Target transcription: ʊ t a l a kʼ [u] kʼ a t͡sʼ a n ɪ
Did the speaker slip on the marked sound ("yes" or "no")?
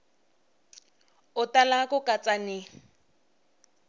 yes